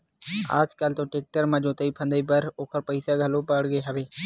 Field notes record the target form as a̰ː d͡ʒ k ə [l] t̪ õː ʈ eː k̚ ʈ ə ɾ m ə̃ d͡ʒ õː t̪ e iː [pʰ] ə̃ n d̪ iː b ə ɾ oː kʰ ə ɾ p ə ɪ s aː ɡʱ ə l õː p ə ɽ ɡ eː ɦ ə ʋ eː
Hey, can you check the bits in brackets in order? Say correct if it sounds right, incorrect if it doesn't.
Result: correct, correct

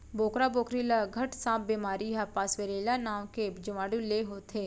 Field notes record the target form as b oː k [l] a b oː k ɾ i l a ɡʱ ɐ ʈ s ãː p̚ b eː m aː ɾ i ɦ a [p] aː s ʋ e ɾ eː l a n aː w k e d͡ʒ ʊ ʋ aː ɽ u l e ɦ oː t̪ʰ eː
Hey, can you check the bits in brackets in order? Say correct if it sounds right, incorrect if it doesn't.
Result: incorrect, correct

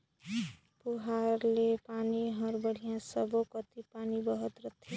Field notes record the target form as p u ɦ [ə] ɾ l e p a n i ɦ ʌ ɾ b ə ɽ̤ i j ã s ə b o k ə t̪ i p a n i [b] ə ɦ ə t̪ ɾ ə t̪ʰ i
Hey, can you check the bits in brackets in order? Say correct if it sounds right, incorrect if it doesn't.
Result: incorrect, correct

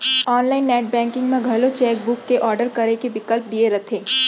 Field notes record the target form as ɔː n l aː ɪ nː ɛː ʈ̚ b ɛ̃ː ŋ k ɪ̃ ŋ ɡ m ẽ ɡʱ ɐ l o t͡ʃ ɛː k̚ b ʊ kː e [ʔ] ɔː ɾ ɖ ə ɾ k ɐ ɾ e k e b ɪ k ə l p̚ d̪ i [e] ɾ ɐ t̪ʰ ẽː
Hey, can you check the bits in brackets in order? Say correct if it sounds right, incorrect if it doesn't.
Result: correct, correct

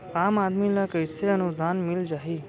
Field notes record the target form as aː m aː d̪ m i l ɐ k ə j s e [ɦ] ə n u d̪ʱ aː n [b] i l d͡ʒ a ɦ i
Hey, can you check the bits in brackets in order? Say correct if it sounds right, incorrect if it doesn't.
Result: incorrect, incorrect

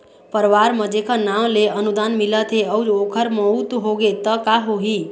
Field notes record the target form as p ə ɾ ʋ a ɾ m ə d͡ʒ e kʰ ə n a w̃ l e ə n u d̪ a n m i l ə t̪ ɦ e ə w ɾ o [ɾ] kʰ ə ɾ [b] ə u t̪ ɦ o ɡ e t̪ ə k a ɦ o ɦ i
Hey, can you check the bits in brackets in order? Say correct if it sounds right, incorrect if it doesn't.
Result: incorrect, incorrect

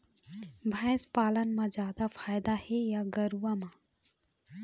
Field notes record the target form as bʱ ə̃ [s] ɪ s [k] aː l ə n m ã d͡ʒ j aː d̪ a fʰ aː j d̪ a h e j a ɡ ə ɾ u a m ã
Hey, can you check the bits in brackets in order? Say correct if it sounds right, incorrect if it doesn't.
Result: incorrect, incorrect

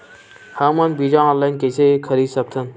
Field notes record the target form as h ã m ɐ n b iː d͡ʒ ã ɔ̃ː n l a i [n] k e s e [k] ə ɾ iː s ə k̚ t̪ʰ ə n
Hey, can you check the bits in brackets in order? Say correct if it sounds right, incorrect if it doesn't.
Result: correct, incorrect

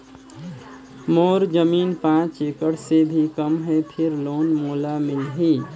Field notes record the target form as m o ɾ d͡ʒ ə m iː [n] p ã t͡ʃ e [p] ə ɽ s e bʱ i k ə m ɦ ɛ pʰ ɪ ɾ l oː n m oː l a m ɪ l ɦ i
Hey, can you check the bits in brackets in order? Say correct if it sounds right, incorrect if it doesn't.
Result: correct, incorrect

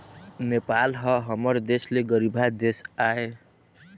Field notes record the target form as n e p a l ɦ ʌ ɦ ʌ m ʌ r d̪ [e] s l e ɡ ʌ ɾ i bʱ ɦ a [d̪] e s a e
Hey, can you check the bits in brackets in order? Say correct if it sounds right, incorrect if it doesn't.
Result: correct, correct

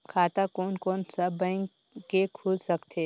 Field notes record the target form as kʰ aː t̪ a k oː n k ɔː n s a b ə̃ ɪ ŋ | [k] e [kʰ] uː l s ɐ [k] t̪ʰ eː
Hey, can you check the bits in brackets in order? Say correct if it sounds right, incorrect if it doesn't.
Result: correct, correct, correct

